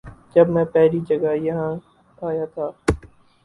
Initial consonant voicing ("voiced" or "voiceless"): voiced